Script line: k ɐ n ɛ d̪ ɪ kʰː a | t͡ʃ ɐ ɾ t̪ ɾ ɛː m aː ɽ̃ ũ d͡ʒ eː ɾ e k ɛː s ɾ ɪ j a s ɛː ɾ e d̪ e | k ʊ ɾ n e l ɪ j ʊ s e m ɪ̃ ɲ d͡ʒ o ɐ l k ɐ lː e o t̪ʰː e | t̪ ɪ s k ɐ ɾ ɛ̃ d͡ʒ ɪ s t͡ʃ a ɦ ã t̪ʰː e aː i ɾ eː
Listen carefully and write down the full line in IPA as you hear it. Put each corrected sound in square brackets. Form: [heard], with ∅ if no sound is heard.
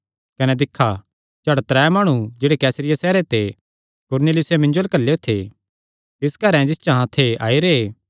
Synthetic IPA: k ɐ n ɛ d̪ ɪ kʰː a | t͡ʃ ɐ [ɽ] t̪ ɾ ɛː m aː ɽ̃ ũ d͡ʒ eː [ɽ] e k ɛː s ɾ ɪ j a s ɛː ɾ e [t̪] e | k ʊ ɾ n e l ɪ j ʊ s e m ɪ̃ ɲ d͡ʒ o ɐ l k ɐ lː e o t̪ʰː e | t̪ ɪ s k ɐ ɾ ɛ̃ d͡ʒ ɪ s t͡ʃ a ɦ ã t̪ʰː e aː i ɾ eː